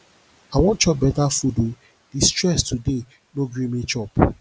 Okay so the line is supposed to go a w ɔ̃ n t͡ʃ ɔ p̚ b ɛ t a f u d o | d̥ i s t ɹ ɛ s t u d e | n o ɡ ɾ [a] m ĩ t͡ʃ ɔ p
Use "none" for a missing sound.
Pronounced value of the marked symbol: i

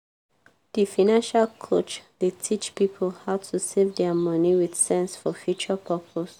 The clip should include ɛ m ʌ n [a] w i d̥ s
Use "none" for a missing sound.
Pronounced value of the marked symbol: i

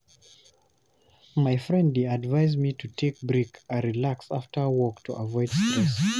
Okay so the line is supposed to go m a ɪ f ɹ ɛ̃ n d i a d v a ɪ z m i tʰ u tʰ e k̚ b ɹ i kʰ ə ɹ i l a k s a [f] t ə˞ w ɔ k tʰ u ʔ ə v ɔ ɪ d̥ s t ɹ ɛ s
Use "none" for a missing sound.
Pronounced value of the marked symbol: f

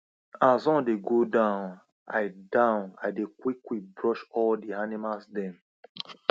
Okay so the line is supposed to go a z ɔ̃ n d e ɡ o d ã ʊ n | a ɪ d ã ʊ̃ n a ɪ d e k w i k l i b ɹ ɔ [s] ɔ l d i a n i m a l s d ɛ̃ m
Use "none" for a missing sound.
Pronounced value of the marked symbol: ʃ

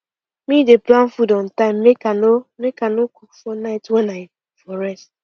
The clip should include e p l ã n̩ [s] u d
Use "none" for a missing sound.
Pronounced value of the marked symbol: f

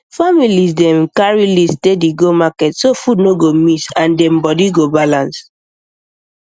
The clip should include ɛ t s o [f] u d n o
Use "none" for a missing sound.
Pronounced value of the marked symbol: f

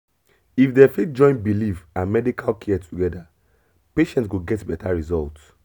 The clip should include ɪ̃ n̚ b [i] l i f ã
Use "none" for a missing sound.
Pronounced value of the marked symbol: i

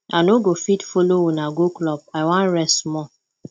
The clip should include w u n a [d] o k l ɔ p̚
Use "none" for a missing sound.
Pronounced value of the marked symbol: ɡ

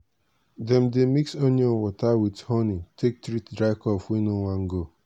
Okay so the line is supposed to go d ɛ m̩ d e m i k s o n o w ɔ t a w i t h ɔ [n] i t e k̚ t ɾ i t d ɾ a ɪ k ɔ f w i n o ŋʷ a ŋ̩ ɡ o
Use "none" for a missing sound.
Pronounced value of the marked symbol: n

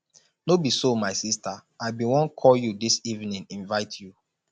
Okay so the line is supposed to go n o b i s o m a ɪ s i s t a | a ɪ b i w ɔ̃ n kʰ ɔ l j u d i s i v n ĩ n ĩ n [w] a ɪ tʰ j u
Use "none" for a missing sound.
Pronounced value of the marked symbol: v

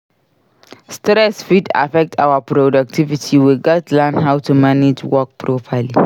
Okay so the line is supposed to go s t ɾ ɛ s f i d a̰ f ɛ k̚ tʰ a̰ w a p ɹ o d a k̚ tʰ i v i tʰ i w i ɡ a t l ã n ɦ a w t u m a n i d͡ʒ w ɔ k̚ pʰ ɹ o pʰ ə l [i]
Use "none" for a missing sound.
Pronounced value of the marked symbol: i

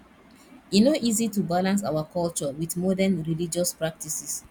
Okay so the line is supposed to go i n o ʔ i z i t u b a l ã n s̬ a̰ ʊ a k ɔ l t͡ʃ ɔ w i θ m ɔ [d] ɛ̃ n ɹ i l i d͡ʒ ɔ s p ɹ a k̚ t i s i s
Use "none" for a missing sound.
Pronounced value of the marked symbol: d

